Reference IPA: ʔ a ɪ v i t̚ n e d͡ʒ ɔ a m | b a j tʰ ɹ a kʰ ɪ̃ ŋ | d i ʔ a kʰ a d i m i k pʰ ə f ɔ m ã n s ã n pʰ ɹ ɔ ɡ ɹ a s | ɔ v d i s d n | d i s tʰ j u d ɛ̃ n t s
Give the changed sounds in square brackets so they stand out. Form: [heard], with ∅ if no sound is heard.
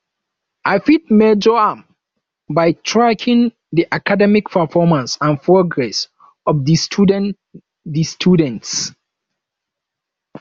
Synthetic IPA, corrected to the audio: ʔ a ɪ [f] i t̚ [m] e d͡ʒ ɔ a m | b a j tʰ ɹ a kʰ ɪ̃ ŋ | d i ʔ a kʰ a d [ɛ] m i k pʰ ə f ɔ m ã n s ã n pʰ ɹ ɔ ɡ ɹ [ɛ] s | ɔ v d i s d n | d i s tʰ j u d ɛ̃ n t s